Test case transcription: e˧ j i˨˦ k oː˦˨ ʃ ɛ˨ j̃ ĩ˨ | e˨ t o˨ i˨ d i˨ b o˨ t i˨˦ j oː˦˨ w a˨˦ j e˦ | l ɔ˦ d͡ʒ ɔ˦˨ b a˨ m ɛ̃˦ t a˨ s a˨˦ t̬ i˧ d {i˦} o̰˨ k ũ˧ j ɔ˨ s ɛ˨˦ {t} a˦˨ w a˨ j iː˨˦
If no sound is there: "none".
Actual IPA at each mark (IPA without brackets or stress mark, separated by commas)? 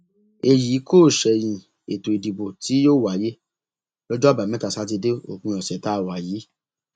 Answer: e˦, t